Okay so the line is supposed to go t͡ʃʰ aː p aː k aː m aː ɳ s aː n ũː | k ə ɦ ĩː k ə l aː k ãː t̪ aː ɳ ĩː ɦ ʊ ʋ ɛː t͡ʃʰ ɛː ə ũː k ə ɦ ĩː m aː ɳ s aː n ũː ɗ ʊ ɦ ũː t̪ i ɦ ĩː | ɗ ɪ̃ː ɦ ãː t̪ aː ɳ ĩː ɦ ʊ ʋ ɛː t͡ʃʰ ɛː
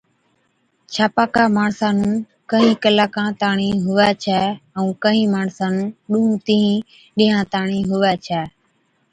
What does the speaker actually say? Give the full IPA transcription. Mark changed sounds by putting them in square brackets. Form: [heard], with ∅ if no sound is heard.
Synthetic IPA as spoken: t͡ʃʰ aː p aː k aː m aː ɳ s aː n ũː | k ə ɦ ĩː k ə l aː k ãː t̪ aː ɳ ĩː ɦ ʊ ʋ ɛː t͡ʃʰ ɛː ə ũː k ə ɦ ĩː m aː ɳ s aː n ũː ɗ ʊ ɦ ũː t̪ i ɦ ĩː | ɗ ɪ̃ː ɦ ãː t̪ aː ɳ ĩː ɦ ʊ ʋ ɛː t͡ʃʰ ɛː